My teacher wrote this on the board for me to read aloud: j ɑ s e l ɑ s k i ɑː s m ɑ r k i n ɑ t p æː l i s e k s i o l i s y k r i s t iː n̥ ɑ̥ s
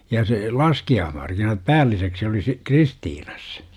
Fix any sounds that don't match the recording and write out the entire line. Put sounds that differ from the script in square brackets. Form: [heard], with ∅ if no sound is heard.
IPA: j ɑ s e l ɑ s k i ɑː [h] m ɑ r k i n ɑ t p æː [lː] i s e k s i o l i s [i] k r i s t iː n̥ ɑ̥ s